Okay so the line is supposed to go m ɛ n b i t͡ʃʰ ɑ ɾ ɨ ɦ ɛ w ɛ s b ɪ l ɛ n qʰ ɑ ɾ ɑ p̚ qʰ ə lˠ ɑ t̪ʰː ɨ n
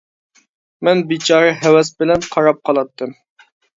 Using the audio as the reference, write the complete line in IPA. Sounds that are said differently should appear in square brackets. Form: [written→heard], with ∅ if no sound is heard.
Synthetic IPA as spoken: m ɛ n b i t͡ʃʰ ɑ ɾ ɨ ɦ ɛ w ɛ s b ɪ l ɛ n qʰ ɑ ɾ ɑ p̚ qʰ [ə→ɑ] lˠ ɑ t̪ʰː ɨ [n→m]